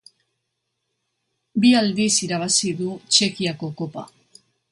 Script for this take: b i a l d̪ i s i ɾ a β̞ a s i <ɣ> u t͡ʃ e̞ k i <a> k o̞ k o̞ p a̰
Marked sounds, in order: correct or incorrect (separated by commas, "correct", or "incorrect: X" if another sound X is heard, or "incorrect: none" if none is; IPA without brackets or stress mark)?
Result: incorrect: ð, correct